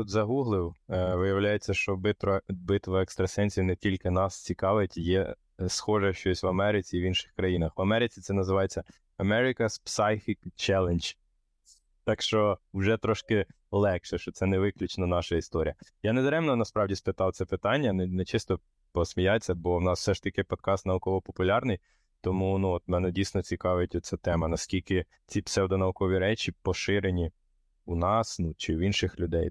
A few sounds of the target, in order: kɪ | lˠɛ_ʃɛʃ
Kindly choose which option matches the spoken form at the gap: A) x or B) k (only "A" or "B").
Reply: B